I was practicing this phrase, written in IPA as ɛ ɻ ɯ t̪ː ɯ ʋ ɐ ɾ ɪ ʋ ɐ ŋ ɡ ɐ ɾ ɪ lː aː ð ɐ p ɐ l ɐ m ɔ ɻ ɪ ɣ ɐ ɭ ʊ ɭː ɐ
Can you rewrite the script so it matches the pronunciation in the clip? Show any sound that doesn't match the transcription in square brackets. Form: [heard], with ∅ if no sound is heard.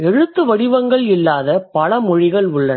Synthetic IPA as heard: ɛ ɻ ɯ t̪ː ɯ ʋ ɐ [ɽ] ɪ ʋ ɐ ŋ ɡ ɐ [ɭ] ɪ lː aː ð ɐ p ɐ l ɐ m ɔ ɻ ɪ ɣ ɐ ɭ ʊ ɭː ɐ